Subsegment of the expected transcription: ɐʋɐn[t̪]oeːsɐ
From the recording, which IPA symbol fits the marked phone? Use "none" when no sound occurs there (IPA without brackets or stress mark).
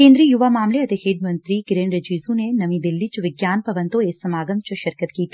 t̪